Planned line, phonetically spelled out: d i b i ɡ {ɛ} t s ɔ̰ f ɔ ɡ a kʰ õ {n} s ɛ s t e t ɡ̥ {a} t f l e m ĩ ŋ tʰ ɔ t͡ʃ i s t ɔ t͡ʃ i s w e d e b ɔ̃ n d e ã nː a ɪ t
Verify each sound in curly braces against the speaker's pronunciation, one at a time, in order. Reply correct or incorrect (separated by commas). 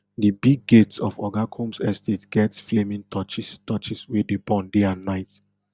incorrect, incorrect, incorrect